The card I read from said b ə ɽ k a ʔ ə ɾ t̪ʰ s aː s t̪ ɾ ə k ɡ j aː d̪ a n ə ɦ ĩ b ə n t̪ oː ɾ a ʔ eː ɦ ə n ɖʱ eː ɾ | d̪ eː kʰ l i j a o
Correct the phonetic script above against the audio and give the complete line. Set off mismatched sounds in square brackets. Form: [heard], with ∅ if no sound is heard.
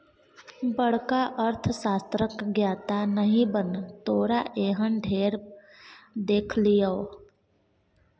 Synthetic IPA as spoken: b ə ɽ k a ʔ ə ɾ t̪ʰ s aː s t̪ ɾ ə k ɡ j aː [t̪] a n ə ɦ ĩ b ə n t̪ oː ɾ a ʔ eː ɦ ə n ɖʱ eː ɾ | d̪ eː kʰ l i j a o